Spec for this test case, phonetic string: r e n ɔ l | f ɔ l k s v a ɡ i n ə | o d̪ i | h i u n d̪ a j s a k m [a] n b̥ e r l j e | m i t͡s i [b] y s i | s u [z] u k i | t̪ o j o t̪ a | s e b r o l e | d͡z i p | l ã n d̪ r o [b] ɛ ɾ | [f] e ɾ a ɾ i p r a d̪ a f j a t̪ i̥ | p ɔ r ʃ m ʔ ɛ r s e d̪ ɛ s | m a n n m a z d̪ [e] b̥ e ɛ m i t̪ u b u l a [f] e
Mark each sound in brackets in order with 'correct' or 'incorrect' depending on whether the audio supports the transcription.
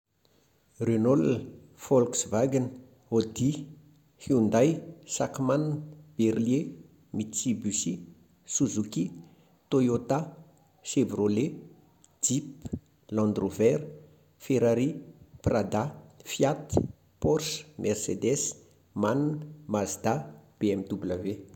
correct, correct, correct, incorrect: v, correct, incorrect: a, incorrect: v

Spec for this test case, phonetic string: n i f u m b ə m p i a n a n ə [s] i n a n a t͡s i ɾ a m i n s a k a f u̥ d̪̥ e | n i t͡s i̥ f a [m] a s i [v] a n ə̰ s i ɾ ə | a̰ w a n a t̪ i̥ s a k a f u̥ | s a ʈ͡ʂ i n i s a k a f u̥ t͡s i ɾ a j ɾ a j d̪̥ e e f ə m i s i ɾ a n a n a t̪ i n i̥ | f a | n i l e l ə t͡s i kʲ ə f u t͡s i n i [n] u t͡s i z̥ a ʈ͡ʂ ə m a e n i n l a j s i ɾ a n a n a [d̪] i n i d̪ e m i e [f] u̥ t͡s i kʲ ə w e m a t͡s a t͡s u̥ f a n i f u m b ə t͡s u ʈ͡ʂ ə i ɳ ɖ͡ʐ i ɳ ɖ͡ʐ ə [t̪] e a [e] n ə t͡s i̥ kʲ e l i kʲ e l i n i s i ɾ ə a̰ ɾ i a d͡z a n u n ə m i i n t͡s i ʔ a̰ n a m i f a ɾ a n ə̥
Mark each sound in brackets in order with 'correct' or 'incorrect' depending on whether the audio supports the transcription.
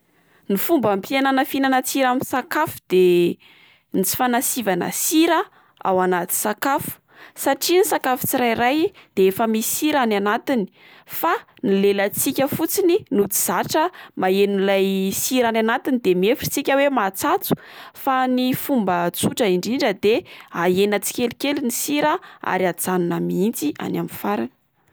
incorrect: f, incorrect: n, correct, correct, incorrect: t̪, correct, incorrect: d̪, correct

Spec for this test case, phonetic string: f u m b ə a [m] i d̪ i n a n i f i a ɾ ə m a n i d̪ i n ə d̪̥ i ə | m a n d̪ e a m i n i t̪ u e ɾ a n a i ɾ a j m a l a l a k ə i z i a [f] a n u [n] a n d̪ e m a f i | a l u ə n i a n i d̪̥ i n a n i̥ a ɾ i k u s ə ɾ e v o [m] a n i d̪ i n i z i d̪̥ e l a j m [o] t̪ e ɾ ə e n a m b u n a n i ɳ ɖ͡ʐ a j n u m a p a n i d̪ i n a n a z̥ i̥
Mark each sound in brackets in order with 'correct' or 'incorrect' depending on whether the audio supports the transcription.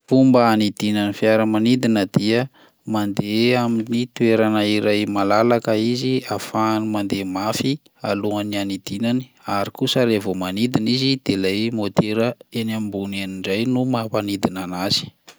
incorrect: n, correct, incorrect: m, correct, correct

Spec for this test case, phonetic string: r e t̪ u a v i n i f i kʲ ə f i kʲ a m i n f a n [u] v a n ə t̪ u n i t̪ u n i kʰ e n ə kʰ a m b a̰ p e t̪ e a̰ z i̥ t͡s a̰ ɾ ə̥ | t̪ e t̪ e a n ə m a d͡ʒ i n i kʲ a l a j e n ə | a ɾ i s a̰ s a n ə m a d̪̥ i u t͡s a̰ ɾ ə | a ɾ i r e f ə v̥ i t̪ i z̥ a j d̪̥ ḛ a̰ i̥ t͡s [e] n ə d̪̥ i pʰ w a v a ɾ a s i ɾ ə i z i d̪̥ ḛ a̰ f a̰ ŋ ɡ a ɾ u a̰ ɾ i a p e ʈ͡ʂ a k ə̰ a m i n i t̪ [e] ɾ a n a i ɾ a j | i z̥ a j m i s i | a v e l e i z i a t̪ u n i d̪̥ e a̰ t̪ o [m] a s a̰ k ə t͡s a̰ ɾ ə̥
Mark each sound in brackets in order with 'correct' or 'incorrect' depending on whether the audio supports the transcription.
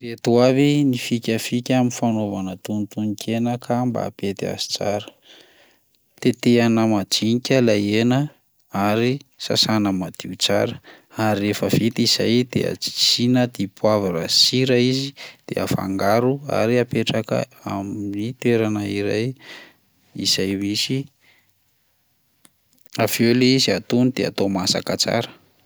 incorrect: o, incorrect: i, correct, correct

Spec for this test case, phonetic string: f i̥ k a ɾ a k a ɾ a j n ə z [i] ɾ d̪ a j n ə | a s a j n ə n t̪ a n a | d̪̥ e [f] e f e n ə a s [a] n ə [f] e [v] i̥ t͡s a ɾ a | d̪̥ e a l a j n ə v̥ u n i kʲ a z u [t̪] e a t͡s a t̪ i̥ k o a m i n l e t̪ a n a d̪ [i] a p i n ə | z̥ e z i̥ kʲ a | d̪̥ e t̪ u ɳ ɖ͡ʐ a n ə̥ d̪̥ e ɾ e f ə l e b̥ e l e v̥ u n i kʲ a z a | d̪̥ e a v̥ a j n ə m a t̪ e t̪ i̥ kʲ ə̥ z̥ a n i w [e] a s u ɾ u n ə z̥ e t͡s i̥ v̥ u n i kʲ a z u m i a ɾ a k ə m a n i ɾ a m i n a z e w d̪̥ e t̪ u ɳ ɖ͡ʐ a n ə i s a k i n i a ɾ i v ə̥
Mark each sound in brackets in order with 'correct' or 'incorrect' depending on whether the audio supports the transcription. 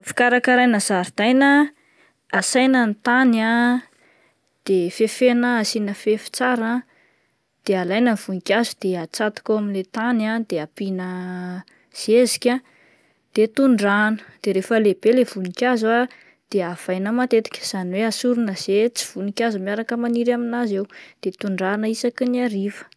incorrect: a, correct, incorrect: i, correct, incorrect: f, incorrect: d̪, incorrect: e, correct

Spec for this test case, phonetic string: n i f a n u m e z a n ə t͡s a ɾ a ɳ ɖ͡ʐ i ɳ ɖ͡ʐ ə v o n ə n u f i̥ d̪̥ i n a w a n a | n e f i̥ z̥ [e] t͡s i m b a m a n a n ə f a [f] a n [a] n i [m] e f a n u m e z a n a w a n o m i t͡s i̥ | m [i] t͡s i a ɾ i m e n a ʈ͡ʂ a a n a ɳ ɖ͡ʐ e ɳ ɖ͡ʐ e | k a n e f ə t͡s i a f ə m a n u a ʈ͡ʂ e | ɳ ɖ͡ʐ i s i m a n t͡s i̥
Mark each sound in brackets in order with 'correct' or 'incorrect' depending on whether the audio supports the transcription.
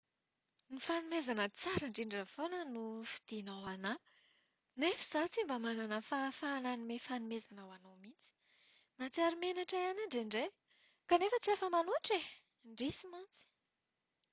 incorrect: a, correct, correct, correct, incorrect: a

